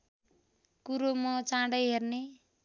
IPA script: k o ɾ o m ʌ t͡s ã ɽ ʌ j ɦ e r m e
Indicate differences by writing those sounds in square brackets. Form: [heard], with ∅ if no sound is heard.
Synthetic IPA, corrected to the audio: k [u] ɾ o m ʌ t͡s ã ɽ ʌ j ɦ e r [n] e

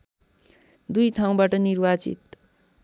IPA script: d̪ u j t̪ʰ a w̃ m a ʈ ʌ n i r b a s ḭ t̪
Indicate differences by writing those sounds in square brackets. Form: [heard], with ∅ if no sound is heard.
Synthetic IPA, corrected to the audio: d̪ u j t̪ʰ a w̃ [b] a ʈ ʌ n i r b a [t͡s] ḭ t̪

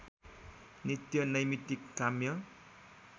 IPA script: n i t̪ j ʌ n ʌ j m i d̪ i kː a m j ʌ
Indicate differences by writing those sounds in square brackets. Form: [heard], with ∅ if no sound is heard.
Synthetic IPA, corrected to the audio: n i t̪ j ʌ n ʌ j m i [t̪] i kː a m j ʌ

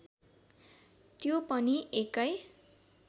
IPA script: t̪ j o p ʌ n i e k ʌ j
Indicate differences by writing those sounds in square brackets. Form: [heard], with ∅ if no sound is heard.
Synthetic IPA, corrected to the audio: t̪ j o p ʌ n i e k ʌ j

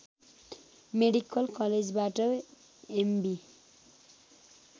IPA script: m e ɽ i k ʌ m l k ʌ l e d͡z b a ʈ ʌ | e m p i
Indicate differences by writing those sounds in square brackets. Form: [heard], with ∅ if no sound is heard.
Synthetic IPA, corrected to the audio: m e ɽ i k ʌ [∅] l k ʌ l e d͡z b a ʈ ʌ | e m [b] i

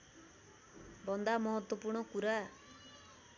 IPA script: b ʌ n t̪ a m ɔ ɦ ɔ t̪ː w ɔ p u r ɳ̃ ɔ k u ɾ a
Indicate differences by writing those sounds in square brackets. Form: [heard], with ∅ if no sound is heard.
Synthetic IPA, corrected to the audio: b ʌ n [d̪] a m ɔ ɦ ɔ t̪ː w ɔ p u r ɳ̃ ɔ k u ɾ a

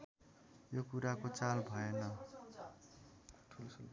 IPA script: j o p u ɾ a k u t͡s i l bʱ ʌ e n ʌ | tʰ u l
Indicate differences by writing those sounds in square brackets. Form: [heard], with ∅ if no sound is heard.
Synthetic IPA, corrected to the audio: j o [k] u ɾ a k [o] t͡s [a] l bʱ ʌ e n ʌ | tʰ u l

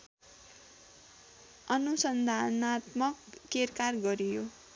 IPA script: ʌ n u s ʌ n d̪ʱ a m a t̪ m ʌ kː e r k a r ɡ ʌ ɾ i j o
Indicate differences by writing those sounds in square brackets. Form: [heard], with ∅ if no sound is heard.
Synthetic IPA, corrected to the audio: ʌ n u s ʌ n d̪ʱ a [n] a t̪ m ʌ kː e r k a r ɡ ʌ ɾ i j o

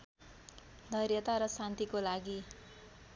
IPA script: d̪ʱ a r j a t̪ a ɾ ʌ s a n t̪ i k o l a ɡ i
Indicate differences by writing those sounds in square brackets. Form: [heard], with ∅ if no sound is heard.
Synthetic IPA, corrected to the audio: d̪ʱ [ʌ] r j [ʌ] t̪ a ɾ ʌ s a n t̪ i k o l a ɡ i

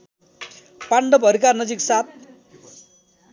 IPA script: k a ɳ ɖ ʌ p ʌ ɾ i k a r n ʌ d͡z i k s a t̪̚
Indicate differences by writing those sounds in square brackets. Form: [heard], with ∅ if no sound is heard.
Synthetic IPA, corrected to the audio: [p] a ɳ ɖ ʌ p ʌ ɾ i k a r n ʌ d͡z i k s a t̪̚

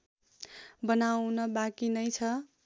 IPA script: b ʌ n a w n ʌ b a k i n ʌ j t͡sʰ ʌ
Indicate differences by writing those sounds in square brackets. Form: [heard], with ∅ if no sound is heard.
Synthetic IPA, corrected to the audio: b ʌ n a w n ʌ b a k i n ʌ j t͡sʰ ʌ

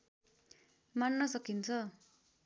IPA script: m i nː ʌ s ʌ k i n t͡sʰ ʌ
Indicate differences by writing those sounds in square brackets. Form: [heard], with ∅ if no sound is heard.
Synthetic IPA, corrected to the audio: m [a] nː ʌ s ʌ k i n t͡sʰ ʌ

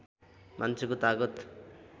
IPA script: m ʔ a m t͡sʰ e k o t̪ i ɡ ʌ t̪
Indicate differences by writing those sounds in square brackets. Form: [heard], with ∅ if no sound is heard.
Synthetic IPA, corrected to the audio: m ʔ a [n] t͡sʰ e k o t̪ [a] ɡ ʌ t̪

